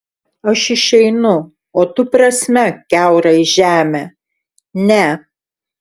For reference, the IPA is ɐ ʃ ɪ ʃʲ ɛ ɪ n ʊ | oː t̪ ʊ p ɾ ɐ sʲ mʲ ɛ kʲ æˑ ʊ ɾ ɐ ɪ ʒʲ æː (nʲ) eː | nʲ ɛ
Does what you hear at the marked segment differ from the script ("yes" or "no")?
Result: yes